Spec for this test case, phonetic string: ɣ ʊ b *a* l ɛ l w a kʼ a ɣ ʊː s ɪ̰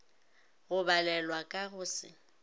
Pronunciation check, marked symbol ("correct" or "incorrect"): correct